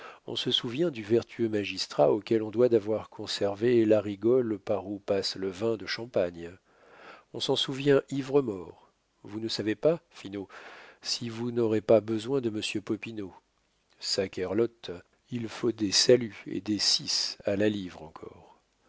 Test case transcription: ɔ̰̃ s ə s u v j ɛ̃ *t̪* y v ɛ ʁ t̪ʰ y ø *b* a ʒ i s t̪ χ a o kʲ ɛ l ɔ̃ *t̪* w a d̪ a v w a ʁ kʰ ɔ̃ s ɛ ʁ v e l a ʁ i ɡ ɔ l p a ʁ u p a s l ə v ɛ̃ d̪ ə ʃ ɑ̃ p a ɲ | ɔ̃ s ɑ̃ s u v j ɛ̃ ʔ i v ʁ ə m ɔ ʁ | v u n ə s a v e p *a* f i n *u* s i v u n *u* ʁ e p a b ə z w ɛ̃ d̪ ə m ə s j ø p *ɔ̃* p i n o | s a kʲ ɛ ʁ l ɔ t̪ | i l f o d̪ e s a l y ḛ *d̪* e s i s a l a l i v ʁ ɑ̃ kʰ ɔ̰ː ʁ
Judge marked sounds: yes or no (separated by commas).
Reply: no, no, no, yes, no, no, no, yes